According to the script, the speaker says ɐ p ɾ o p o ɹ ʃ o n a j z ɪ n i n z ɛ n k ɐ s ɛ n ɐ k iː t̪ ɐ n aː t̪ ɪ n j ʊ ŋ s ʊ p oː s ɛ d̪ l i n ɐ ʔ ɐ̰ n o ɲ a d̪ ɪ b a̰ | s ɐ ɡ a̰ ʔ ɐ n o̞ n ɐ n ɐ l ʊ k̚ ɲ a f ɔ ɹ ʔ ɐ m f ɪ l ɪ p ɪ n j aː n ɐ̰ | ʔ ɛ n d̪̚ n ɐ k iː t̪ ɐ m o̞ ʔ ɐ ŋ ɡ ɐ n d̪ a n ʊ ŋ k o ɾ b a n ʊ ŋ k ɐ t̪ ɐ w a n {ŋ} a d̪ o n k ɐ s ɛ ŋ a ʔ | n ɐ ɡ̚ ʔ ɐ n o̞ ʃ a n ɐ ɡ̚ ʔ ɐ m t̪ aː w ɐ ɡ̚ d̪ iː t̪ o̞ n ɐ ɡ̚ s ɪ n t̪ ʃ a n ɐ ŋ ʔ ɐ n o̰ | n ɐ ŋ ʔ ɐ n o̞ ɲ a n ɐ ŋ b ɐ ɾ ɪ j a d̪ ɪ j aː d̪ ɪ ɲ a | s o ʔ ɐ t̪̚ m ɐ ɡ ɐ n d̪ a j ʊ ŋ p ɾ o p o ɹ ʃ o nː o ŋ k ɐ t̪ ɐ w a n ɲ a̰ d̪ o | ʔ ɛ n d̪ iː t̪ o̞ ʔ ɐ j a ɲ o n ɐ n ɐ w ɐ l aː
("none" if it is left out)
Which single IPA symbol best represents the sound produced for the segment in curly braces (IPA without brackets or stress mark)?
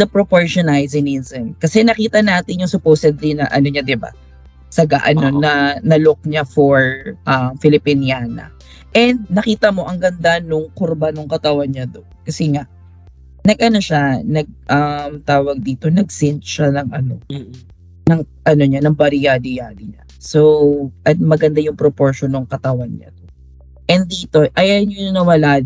ɲ